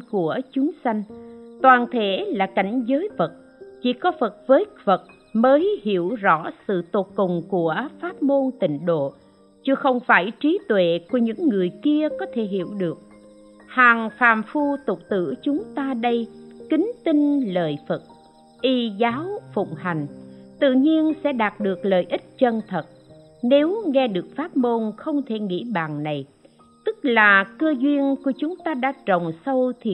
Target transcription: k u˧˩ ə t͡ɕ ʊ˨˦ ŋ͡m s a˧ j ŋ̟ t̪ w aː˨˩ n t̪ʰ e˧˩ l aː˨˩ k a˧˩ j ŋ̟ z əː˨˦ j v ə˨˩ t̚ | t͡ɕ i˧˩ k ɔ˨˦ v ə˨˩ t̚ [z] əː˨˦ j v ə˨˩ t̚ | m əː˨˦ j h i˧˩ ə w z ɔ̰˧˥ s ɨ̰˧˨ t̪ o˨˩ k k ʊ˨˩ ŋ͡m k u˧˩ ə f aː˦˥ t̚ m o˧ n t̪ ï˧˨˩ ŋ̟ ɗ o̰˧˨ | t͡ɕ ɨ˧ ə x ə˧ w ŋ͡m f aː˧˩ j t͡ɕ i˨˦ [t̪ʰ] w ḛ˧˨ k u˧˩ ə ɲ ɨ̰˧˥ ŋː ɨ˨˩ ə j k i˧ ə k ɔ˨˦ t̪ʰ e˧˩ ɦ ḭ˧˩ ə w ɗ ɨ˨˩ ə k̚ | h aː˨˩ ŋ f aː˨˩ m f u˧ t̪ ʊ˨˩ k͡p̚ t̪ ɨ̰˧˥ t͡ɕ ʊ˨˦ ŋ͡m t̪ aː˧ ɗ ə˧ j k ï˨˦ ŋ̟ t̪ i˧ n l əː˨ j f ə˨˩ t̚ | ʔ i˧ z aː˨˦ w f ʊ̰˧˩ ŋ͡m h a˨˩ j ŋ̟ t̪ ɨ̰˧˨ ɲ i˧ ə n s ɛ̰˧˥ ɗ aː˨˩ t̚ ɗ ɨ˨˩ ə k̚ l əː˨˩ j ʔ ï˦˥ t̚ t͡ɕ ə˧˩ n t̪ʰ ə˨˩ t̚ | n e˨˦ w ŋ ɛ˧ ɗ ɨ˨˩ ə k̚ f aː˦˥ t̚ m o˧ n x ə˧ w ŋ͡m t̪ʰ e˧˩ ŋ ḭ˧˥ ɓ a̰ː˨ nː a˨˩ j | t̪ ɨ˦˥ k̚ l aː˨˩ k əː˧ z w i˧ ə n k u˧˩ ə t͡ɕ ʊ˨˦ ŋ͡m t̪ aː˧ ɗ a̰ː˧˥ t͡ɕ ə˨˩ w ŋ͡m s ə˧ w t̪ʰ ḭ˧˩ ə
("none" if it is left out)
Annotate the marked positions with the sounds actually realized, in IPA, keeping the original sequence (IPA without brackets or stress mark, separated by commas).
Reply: v, t̪